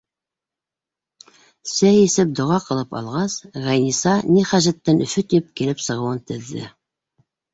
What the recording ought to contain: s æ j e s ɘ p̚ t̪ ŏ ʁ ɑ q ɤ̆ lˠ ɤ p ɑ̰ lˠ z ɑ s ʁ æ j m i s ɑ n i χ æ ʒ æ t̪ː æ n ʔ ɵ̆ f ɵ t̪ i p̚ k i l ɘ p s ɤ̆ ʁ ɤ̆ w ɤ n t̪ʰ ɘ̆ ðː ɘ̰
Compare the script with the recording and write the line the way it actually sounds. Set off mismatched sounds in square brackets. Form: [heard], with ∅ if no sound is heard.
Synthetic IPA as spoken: s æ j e s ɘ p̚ [d̪] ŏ ʁ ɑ q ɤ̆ lˠ ɤ p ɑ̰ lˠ [ʁ] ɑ s ʁ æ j [n] i s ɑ n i χ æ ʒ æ t̪ː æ n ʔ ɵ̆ f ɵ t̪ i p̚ k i l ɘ p s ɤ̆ ʁ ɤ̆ w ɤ n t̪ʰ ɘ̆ ðː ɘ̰